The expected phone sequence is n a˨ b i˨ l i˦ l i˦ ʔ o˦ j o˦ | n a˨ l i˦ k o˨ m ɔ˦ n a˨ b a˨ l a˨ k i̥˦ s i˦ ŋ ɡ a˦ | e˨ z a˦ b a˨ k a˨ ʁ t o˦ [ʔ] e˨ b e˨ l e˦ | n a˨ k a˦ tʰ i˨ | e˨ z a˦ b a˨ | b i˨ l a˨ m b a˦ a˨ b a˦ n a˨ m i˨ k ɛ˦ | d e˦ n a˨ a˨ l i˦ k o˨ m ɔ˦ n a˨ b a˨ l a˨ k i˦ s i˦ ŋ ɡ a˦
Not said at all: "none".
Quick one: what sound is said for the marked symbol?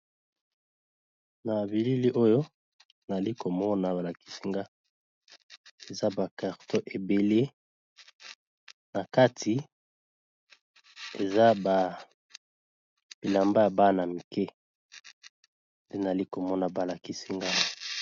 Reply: ʔ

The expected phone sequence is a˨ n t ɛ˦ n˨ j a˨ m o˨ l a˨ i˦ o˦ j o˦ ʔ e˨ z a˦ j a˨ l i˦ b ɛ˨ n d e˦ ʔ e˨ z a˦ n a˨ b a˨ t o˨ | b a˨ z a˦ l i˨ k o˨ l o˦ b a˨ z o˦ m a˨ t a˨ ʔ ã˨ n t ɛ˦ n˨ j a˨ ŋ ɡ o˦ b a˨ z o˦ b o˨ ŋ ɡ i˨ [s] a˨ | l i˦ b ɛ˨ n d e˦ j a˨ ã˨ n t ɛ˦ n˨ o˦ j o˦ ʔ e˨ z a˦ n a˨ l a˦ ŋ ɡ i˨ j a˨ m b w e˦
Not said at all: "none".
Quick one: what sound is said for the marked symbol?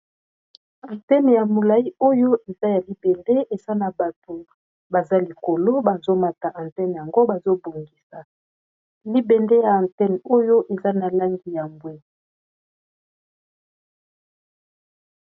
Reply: s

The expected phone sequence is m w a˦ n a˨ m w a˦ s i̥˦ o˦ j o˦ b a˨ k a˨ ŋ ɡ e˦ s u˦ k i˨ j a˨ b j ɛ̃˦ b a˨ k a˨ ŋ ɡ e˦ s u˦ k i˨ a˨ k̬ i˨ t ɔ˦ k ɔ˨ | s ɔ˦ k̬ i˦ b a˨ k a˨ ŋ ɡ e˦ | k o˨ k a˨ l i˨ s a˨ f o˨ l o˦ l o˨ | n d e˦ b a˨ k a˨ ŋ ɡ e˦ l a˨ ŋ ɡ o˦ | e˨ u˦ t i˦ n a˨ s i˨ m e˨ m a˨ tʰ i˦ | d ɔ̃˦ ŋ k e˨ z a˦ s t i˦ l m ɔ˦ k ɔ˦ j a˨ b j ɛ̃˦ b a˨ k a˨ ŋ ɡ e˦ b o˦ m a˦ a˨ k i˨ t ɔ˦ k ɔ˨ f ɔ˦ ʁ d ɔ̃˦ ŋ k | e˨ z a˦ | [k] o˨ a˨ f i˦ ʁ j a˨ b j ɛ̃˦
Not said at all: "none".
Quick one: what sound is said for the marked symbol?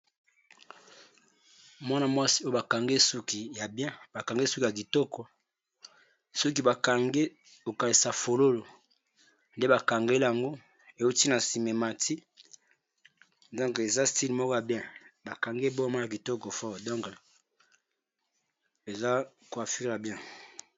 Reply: k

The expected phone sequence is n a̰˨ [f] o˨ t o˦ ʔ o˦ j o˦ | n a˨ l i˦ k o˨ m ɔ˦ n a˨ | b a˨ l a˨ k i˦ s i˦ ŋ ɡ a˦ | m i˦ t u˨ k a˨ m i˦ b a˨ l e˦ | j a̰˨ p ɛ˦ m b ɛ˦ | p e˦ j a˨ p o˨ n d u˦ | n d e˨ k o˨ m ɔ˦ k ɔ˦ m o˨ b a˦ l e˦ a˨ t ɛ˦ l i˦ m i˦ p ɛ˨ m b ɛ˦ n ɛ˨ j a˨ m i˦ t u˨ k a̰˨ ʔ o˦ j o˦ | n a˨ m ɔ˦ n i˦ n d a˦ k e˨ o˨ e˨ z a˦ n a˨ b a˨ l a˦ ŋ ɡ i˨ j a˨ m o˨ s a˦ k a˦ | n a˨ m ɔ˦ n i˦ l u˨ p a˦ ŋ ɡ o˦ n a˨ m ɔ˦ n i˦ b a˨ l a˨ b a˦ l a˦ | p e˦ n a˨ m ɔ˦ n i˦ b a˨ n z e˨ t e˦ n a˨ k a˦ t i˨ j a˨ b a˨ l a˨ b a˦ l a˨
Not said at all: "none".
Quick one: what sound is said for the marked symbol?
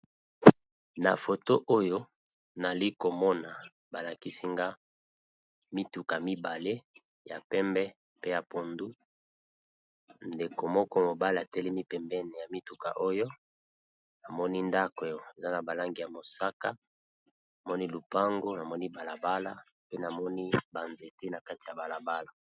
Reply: f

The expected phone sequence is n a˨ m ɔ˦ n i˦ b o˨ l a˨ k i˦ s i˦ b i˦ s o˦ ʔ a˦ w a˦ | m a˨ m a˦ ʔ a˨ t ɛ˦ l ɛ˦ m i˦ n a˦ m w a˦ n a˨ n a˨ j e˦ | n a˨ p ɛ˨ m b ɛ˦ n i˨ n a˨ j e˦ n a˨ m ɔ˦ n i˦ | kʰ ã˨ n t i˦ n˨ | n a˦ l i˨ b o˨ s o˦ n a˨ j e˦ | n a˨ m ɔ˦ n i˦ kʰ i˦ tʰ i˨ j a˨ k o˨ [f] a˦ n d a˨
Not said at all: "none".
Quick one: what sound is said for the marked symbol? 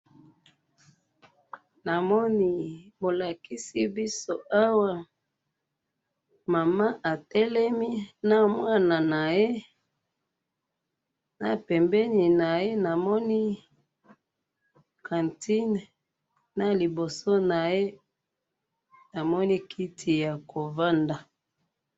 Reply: v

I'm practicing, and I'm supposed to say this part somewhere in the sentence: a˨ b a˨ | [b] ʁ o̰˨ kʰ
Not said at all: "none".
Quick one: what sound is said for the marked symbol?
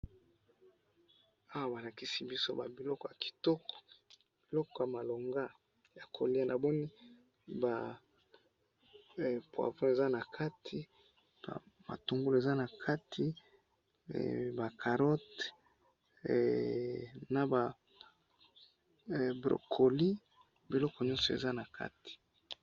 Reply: b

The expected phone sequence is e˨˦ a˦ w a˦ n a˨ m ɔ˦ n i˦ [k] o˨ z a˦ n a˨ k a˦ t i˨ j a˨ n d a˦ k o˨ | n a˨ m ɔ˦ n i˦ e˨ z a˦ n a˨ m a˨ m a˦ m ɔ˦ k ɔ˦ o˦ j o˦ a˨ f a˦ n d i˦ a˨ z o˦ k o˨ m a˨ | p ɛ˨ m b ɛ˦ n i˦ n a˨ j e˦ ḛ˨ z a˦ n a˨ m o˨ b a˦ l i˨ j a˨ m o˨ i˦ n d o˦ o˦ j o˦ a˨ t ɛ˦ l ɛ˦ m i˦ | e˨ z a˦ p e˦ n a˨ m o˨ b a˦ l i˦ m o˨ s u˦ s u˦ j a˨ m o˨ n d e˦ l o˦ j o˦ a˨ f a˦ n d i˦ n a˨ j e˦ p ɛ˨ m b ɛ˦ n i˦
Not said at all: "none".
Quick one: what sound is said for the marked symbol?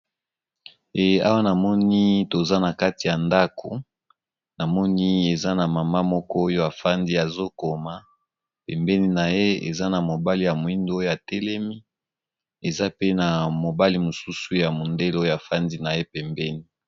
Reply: t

